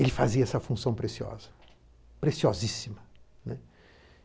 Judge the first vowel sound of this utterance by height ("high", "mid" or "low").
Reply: mid